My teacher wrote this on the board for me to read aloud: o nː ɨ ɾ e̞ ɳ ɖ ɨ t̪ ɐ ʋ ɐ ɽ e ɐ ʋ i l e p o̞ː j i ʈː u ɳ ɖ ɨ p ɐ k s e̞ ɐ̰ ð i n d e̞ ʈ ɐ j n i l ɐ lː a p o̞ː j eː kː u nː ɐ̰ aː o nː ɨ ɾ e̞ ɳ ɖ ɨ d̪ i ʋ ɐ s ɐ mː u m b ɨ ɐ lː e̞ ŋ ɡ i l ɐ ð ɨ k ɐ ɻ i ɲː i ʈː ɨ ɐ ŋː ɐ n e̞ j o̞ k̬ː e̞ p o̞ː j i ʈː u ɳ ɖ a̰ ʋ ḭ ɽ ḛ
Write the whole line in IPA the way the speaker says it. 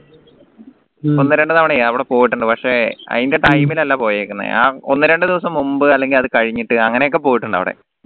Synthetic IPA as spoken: o nː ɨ ɾ e̞ ɳ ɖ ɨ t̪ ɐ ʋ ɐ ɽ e ɐ ʋ i ɽ e p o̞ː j i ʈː u ɳ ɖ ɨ p ɐ k ʂ e̞ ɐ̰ ð i n d e̞ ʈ ɐ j m i l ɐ lː a p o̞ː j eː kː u nː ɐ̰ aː o nː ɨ ɾ e̞ ɳ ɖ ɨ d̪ i ʋ ɐ s ɐ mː u m b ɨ ɐ lː e̞ ŋ ɡ i l ɐ ð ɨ k ɐ ɻ i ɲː i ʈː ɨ ɐ ŋː ɐ n e̞ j o̞ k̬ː e̞ p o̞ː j i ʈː u ɳ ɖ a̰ ʋ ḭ ɽ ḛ